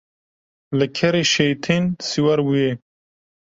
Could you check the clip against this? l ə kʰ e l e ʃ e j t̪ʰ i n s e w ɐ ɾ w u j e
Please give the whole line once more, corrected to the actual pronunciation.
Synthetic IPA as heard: l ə kʰ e ɾ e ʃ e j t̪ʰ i n s i w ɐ ɾ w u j e